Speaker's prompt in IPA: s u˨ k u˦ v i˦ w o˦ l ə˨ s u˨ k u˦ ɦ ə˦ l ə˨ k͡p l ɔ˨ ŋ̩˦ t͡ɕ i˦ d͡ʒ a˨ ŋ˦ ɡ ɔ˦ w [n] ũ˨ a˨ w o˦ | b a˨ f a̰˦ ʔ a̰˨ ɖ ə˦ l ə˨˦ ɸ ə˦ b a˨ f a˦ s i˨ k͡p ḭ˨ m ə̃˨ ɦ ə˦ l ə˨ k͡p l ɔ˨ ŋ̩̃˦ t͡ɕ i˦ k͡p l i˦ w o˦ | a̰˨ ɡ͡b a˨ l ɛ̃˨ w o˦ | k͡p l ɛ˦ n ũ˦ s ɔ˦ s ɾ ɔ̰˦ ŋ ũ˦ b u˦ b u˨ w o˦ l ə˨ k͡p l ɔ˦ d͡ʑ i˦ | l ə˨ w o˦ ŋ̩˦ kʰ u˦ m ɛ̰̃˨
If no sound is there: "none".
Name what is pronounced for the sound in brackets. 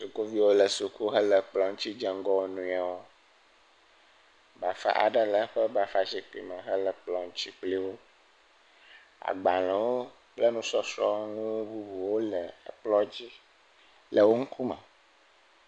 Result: n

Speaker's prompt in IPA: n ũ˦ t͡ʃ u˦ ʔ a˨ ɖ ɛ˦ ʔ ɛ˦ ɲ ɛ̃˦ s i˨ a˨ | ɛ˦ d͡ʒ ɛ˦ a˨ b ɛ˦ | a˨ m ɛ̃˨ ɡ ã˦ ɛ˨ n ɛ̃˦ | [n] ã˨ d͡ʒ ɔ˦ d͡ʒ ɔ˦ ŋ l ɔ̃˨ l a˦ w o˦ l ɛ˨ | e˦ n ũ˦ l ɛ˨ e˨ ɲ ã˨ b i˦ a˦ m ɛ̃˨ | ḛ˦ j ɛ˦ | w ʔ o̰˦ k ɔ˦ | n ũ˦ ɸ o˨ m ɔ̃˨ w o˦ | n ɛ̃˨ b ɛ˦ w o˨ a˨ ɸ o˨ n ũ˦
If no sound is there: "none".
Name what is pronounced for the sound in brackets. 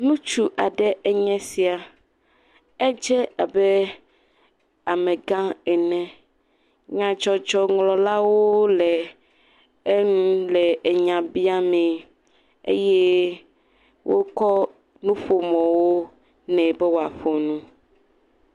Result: ɲ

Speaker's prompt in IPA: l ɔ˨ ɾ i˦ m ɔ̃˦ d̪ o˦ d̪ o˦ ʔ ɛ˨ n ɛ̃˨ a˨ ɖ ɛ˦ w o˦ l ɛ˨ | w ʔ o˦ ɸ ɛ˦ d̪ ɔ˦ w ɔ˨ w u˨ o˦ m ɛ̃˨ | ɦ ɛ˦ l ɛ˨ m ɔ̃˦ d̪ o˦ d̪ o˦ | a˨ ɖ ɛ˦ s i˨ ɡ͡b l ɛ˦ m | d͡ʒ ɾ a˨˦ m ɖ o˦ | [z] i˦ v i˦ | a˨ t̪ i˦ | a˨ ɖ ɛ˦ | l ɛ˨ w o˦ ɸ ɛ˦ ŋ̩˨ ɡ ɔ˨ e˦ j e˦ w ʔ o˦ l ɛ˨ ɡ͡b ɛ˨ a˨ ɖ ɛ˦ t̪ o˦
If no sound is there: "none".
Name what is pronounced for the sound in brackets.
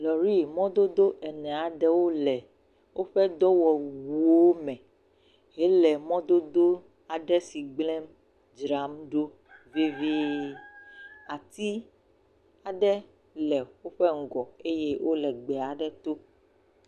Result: v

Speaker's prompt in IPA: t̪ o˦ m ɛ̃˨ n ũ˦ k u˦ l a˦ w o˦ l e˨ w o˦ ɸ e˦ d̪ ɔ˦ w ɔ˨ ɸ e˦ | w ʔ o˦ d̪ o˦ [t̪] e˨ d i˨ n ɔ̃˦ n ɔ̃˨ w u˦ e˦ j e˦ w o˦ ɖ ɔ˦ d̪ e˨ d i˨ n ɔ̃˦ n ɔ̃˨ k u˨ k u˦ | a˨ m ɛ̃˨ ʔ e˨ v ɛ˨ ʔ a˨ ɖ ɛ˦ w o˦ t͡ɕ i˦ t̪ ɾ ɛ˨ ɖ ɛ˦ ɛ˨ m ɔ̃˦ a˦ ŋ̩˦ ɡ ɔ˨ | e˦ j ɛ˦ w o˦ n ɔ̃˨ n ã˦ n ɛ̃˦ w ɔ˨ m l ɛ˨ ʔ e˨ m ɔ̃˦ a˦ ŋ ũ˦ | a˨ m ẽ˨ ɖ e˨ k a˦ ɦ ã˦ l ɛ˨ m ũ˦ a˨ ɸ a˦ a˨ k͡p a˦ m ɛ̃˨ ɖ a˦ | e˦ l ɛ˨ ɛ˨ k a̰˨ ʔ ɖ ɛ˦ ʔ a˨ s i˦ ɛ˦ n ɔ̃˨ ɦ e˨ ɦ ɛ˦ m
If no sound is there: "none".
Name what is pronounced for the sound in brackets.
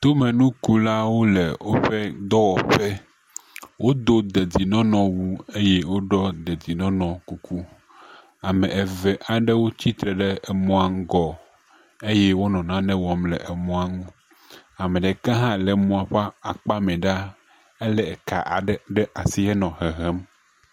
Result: d̪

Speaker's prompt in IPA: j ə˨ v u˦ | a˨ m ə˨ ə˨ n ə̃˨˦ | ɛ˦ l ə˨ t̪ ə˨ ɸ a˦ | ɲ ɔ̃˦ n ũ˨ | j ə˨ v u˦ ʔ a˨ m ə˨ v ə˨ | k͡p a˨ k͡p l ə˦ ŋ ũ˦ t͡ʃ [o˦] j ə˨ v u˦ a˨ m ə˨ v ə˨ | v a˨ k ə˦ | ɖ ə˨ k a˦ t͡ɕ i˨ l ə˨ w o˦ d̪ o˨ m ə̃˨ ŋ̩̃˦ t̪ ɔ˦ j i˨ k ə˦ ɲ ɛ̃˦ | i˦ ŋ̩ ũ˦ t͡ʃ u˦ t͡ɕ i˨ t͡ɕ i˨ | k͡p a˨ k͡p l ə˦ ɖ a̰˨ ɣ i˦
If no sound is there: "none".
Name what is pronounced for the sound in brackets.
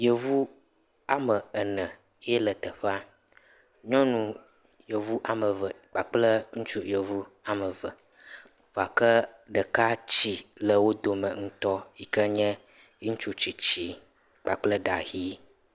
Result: u˦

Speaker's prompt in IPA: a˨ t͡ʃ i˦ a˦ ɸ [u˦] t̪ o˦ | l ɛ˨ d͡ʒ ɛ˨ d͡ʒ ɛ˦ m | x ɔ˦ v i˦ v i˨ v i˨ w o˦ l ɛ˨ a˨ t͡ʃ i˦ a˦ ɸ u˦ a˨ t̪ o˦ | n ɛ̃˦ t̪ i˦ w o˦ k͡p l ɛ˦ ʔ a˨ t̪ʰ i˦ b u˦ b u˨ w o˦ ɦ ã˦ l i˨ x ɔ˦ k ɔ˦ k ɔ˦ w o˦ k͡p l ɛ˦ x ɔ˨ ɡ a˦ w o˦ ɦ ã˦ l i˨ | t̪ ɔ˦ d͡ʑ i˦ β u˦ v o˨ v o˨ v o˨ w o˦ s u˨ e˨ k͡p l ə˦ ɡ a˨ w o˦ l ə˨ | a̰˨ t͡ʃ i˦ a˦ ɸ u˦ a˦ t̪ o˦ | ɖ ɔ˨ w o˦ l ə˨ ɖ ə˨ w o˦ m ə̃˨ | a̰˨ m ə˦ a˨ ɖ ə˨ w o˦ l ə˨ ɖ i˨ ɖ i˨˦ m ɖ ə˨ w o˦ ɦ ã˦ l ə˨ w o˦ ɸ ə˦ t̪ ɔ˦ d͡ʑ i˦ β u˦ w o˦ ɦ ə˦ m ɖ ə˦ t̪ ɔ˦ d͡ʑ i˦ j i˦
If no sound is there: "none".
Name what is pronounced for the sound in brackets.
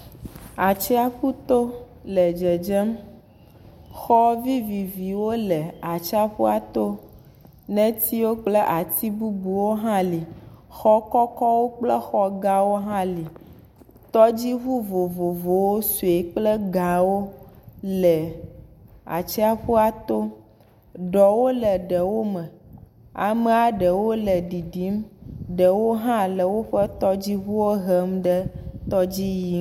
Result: u˦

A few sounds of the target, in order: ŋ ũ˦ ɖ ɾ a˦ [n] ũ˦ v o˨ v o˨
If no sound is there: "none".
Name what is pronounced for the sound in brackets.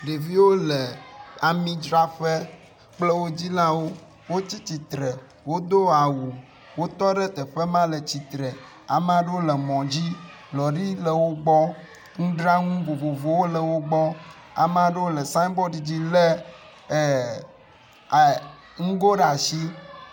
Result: ŋ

